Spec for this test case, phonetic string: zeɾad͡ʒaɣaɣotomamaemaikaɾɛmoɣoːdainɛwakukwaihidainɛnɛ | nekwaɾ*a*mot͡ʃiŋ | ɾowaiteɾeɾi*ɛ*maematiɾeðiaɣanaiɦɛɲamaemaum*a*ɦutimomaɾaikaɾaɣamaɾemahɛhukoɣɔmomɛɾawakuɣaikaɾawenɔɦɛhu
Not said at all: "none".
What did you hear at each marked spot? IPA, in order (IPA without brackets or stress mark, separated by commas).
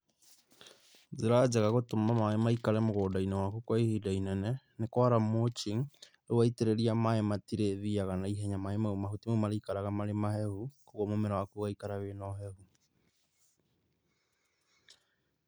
a, a, a